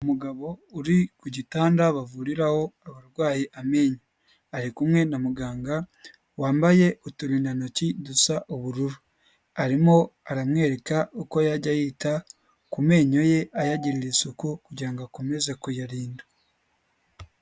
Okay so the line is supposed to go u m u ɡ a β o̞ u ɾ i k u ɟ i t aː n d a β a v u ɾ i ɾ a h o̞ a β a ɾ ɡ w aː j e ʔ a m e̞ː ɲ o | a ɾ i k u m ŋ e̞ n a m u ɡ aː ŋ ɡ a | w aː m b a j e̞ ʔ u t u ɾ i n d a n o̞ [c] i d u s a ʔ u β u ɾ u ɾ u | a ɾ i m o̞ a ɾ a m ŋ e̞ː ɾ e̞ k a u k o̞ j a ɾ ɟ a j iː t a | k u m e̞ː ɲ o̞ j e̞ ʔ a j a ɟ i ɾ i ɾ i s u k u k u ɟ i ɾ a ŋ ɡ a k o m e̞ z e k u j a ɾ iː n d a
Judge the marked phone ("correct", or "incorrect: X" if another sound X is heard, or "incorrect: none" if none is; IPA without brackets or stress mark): correct